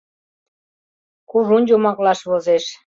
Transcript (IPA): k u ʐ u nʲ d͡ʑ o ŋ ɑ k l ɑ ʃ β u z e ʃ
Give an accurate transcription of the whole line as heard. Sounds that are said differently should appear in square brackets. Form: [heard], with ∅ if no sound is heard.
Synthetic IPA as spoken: k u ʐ u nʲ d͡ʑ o [m] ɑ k l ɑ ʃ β [o] z e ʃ